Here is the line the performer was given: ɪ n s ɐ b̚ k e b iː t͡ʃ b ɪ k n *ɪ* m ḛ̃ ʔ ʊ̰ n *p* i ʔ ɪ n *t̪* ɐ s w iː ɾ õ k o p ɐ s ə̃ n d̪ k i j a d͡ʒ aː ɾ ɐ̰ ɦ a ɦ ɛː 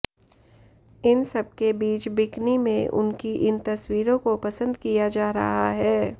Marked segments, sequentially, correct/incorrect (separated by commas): incorrect, incorrect, correct